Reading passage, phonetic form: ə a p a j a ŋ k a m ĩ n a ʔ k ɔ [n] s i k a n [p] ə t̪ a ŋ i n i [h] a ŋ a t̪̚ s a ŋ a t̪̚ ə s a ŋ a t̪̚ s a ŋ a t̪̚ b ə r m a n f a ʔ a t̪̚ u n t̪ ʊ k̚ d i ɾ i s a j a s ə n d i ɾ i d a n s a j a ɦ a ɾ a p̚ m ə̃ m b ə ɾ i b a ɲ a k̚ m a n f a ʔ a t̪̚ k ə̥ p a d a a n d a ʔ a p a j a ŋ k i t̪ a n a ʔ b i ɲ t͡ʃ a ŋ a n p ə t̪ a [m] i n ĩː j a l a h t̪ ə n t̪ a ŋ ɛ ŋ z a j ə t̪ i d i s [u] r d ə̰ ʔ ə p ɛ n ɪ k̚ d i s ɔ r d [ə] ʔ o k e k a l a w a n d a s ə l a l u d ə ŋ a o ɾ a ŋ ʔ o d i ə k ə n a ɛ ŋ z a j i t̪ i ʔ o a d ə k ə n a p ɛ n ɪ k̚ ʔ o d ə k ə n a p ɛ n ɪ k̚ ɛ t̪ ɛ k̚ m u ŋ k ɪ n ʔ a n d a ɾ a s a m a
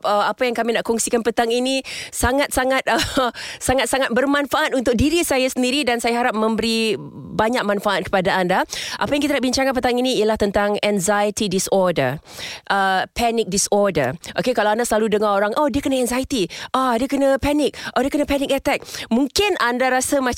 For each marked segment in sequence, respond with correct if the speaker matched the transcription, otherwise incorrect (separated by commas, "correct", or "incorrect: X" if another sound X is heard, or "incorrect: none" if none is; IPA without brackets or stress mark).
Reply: incorrect: ŋ, correct, incorrect: s, incorrect: ŋ, incorrect: ɔ, correct